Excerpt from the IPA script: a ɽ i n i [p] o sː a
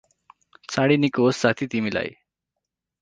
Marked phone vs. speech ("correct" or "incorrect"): incorrect